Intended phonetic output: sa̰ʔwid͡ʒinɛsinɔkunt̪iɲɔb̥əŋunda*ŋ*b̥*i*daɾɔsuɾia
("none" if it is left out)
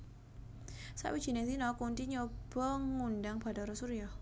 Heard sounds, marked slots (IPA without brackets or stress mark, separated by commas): ŋ, a